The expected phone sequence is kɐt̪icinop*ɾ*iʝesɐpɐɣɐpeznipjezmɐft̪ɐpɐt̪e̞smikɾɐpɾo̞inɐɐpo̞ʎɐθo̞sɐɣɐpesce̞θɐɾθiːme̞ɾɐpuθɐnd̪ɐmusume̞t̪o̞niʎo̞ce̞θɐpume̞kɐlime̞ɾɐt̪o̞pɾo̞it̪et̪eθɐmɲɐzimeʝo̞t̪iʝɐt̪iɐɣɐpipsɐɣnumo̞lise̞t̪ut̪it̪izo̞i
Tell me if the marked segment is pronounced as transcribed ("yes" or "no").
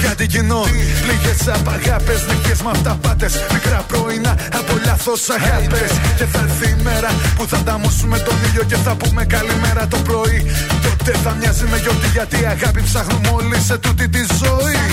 no